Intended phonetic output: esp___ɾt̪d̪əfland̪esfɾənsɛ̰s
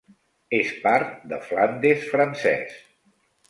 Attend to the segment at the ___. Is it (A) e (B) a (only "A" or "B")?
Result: B